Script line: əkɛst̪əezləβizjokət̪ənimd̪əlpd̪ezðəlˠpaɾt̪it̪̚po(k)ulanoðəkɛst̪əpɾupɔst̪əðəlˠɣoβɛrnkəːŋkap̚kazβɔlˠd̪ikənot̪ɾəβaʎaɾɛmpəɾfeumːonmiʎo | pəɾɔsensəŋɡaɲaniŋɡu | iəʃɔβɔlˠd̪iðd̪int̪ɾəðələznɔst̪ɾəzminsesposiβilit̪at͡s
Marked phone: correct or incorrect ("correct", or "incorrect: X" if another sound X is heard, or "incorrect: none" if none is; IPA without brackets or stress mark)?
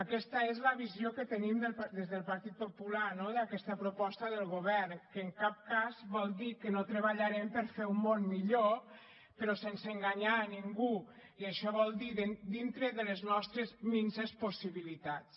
incorrect: p